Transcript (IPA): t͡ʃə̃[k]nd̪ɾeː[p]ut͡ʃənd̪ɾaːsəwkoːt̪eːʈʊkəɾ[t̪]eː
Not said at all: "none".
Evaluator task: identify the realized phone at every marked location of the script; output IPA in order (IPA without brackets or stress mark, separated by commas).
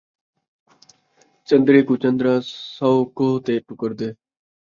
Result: none, k, d̪